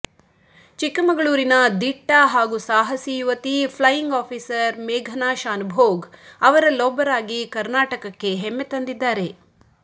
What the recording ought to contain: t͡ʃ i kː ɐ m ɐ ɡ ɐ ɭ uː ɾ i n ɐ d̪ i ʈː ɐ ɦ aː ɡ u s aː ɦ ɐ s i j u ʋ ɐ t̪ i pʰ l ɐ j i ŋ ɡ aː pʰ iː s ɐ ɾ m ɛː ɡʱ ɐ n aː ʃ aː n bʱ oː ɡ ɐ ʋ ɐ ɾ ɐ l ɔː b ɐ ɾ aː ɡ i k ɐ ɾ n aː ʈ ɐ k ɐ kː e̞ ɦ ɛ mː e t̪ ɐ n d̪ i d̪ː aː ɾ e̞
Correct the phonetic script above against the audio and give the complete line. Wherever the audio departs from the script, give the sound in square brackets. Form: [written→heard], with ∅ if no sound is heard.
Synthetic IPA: t͡ʃ i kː ɐ m ɐ ɡ ɐ ɭ uː ɾ i n ɐ d̪ i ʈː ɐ ɦ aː ɡ u s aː ɦ ɐ s i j u ʋ ɐ t̪ i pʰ l ɐ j i ŋ ɡ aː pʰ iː s ɐ ɾ m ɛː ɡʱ ɐ n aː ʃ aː n bʱ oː ɡ ɐ ʋ ɐ ɾ ɐ l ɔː b ɐ ɾ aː ɡ i k ɐ ɾ n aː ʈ ɐ k ɐ kː e̞ ɦ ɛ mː e t̪ ɐ n d̪ i d̪ː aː ɾ e̞

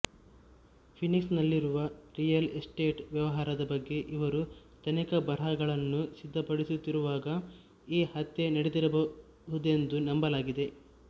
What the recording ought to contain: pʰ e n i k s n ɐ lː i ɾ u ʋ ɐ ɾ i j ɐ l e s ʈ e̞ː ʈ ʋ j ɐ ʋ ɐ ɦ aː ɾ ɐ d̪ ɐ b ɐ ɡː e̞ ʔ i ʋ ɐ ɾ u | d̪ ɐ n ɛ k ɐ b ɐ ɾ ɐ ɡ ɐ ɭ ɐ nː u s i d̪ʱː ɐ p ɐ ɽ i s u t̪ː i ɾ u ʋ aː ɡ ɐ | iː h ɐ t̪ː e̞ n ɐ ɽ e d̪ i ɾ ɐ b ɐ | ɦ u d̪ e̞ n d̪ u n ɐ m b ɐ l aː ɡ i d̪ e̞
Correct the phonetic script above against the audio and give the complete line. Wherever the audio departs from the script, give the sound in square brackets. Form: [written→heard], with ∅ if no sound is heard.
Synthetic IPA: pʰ [e→i] n i k s n ɐ lː i ɾ u ʋ ɐ ɾ i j ɐ l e s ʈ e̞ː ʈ ʋ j ɐ ʋ ɐ ɦ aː ɾ ɐ d̪ ɐ b ɐ ɡː e̞ ʔ i ʋ ɐ ɾ u | [d̪→t̪] ɐ n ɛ k ɐ b ɐ ɾ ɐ ɡ ɐ ɭ ɐ nː u s i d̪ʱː ɐ p ɐ ɽ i s u t̪ː i ɾ u ʋ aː ɡ ɐ | iː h ɐ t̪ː e̞ n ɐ ɽ e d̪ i ɾ ɐ b ɐ | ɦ u d̪ e̞ n d̪ u n ɐ m b ɐ l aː ɡ i d̪ e̞

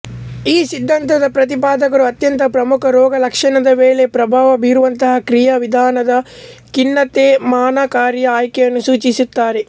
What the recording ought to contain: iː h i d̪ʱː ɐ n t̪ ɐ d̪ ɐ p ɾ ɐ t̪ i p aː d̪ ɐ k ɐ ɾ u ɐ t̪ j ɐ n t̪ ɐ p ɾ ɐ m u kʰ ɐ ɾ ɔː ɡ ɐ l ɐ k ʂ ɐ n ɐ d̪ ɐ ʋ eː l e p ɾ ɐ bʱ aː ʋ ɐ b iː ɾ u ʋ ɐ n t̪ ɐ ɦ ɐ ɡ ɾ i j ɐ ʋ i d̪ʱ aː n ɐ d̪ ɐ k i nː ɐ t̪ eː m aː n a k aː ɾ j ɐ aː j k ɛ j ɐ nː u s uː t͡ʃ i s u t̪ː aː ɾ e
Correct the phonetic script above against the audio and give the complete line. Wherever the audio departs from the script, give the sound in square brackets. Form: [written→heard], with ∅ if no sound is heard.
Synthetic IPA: iː [h→s] i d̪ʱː ɐ n t̪ ɐ d̪ ɐ p ɾ ɐ t̪ i p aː d̪ ɐ k ɐ ɾ u ɐ t̪ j ɐ n t̪ ɐ p ɾ ɐ m u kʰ ɐ ɾ ɔː ɡ ɐ l ɐ k ʂ ɐ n ɐ d̪ ɐ ʋ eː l e p ɾ ɐ bʱ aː ʋ ɐ b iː ɾ u ʋ ɐ n t̪ ɐ ɦ ɐ [ɡ→k] ɾ i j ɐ ʋ i d̪ʱ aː n ɐ d̪ ɐ k i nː ɐ t̪ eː m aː n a k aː ɾ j ɐ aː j k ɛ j ɐ nː u s uː t͡ʃ i s u t̪ː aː ɾ e

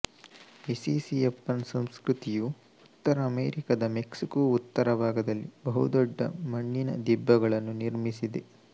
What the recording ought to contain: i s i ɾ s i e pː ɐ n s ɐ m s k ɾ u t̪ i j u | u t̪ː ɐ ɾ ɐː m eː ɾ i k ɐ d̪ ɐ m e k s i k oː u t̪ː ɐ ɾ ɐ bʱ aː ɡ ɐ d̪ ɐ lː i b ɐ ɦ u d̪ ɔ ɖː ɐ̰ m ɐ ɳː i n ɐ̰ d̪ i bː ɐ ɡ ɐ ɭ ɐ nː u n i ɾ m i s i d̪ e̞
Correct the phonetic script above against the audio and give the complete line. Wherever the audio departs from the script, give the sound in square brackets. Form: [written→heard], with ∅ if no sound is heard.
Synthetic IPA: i s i [ɾ→∅] s i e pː ɐ n s ɐ m s k ɾ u t̪ i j u | u t̪ː ɐ ɾ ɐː m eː ɾ i k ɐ d̪ ɐ m e k s i k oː u t̪ː ɐ ɾ ɐ bʱ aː ɡ ɐ d̪ ɐ lː i b ɐ ɦ u d̪ ɔ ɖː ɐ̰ m ɐ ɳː i n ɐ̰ d̪ i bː ɐ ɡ ɐ ɭ ɐ nː u n i ɾ m i s i d̪ e̞

